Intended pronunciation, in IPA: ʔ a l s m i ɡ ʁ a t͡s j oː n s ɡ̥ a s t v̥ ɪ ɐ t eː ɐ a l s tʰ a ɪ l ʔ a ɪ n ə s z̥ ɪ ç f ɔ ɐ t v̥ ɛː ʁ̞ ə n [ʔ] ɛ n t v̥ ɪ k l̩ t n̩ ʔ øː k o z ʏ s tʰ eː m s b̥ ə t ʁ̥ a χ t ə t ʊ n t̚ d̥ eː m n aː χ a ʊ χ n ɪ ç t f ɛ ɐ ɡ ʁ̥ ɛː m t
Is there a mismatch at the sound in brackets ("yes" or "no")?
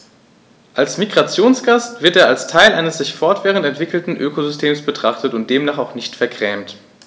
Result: yes